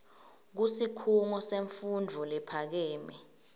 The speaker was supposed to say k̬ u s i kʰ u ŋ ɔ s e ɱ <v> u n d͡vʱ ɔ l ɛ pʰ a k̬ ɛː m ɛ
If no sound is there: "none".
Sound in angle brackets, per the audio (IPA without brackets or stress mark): f